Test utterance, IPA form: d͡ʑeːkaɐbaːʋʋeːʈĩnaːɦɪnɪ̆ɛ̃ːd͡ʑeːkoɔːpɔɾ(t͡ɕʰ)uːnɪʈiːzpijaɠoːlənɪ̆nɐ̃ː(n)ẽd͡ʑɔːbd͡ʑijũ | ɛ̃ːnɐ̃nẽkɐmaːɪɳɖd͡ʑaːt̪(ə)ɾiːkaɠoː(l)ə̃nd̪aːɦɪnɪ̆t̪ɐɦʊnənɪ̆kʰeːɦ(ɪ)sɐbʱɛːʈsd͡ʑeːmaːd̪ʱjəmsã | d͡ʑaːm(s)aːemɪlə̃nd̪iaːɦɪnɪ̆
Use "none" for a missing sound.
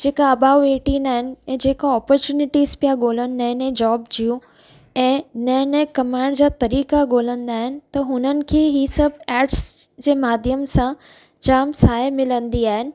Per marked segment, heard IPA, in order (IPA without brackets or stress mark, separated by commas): t͡ɕ, n, ɐ, l, i, s